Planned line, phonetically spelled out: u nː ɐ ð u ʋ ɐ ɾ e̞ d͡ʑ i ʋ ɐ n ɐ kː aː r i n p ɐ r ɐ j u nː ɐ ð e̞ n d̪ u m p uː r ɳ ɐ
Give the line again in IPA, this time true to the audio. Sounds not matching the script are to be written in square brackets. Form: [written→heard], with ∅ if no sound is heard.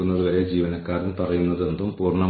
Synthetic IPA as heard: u nː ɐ ð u ʋ ɐ ɾ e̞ d͡ʑ [i→iː] ʋ ɐ n ɐ kː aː r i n p ɐ r ɐ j u nː ɐ ð e̞ n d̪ u m p uː r ɳ ɐ